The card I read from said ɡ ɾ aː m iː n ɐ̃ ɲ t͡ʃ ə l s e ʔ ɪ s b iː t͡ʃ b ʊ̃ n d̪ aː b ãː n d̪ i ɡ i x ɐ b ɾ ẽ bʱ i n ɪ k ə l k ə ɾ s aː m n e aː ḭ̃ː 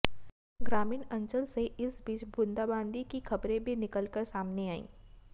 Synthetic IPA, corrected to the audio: ɡ ɾ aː m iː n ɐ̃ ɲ t͡ʃ ə l s e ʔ ɪ s b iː t͡ʃ b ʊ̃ n d̪ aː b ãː n d̪ i k i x ɐ b ɾ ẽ bʱ i n ɪ k ə l k ə ɾ s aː m n e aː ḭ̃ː